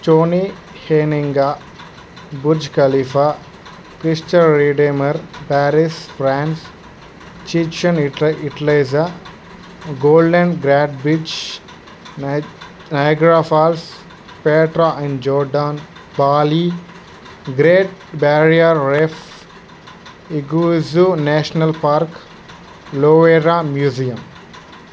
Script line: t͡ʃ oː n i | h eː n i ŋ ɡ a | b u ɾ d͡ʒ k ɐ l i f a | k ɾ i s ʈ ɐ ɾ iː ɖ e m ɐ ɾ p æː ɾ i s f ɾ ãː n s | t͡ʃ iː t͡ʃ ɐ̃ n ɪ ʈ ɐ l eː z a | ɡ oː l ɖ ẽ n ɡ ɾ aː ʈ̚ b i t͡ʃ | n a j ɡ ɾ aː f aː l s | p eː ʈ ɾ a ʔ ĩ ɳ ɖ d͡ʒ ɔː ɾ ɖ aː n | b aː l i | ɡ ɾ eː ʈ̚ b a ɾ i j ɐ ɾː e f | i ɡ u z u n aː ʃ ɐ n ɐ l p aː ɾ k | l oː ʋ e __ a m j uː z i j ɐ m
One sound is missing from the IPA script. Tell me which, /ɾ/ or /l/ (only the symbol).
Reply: ɾ